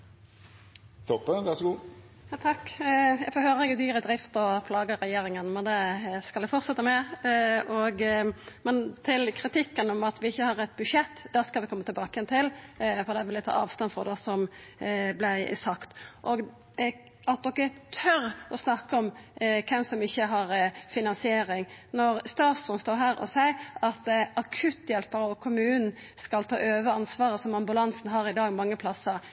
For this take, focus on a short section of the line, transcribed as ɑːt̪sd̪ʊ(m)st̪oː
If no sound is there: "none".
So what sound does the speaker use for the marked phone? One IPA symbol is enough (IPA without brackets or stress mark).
n